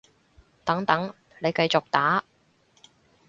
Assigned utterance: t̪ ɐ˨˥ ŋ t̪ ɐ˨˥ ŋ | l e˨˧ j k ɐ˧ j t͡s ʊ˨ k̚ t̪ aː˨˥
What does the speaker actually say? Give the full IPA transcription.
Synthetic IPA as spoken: t̪ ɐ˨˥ ŋ t̪ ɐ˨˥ ŋ | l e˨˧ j k ɐ˧ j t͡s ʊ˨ k̚ t̪ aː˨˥